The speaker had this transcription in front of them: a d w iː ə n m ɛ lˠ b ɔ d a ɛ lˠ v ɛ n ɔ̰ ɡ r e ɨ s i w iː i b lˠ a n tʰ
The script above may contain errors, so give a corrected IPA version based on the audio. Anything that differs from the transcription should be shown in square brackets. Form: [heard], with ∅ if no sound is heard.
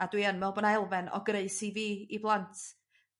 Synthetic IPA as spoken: a d w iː ə n m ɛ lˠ b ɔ [n] a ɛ lˠ v ɛ n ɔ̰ ɡ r e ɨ s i [v] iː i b lˠ a n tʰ